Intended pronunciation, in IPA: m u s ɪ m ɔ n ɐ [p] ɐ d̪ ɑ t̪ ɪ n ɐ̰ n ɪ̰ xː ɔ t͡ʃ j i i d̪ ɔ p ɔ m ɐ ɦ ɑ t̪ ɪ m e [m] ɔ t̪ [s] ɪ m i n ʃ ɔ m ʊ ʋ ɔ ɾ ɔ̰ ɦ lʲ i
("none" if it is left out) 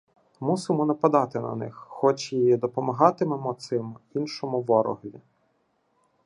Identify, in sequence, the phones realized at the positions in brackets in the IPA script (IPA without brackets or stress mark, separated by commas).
p, m, s